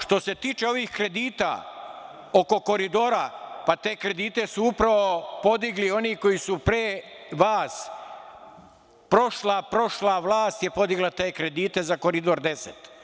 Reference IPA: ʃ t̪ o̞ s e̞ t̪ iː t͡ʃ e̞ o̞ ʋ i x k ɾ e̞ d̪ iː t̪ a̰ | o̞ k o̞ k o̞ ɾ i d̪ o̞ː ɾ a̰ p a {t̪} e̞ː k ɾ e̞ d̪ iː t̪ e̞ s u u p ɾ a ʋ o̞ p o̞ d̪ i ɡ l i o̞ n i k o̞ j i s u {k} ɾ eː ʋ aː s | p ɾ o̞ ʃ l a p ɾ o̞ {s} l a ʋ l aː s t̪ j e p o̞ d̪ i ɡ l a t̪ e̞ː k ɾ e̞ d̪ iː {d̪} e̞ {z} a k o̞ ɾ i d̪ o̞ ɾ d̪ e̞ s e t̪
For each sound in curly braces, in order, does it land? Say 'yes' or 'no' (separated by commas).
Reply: yes, no, no, no, yes